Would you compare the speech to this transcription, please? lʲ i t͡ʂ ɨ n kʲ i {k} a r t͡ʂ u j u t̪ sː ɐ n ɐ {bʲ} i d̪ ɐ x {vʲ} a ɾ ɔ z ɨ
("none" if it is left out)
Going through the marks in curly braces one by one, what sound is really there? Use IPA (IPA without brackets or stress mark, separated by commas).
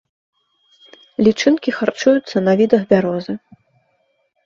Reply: x, vʲ, bʲ